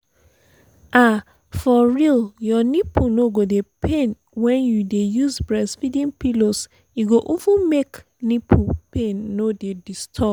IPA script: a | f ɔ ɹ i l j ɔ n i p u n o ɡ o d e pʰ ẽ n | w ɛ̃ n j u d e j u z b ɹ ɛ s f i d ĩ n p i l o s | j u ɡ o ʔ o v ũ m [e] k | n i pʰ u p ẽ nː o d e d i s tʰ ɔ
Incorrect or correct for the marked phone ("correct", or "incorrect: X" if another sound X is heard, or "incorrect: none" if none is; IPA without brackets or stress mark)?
correct